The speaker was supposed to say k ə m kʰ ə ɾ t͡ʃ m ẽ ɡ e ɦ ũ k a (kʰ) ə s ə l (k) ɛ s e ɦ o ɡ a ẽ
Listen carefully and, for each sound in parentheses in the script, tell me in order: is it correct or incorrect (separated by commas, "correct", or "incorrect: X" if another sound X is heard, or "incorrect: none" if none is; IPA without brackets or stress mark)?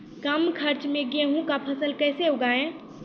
incorrect: pʰ, correct